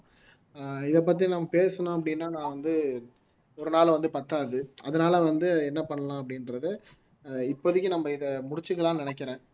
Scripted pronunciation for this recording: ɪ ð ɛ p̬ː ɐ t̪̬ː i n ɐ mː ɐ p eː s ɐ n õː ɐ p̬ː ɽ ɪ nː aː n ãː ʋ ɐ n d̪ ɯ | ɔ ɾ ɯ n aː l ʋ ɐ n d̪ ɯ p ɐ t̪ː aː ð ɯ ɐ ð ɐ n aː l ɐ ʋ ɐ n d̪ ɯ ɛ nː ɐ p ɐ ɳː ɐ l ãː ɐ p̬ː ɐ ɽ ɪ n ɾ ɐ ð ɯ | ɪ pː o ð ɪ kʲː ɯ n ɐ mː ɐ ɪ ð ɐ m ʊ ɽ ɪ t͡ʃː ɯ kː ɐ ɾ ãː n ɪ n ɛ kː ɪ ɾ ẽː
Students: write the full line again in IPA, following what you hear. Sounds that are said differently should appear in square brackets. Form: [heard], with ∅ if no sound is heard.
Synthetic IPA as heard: ɪ ð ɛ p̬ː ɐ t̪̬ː i n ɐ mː ɐ p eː s ɐ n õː ɐ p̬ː ɽ ɪ nː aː n ãː ʋ ɐ n d̪ ɯ | ɔ ɾ ɯ n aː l ʋ ɐ n d̪ ɯ p ɐ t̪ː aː ð ɯ ɐ ð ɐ n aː l ɐ ʋ ɐ n d̪ ɯ ɛ nː ɐ p ɐ ɳː ɐ l ãː ɐ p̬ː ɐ ɽ ɪ n ɾ ɐ ð ɯ | ɪ pː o ð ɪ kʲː ɯ n ɐ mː ɐ ɪ ð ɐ m ʊ ɽ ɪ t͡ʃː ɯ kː ɐ [ɭ] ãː n ɪ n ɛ kː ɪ ɾ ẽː